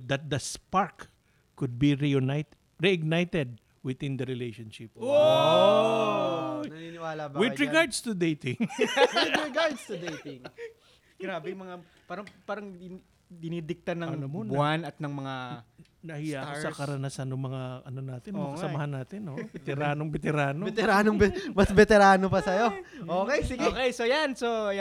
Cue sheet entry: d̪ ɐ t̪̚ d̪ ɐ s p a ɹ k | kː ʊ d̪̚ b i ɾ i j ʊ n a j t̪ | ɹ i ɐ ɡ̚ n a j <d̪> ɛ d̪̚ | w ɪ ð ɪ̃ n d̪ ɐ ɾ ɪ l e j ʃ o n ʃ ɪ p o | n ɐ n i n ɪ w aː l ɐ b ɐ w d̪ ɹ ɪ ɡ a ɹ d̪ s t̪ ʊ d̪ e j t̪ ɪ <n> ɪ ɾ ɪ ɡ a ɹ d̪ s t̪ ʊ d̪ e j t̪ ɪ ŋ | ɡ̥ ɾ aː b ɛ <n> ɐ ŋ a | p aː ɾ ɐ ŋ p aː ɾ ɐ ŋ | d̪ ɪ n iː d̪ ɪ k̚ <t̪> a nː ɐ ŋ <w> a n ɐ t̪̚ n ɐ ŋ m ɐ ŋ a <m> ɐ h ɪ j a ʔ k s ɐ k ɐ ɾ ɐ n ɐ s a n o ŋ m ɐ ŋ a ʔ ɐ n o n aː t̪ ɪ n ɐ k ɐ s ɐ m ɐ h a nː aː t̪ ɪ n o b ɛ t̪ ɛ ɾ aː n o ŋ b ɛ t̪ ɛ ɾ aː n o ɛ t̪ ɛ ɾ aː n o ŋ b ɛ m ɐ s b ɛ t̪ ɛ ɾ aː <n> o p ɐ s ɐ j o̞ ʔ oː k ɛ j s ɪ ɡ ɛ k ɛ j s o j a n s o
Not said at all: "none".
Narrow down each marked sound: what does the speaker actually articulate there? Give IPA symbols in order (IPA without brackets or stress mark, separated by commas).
t̪, ŋ, m, t̪, b, n, n